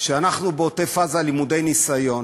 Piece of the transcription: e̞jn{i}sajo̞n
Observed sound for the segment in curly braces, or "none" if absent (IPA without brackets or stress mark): i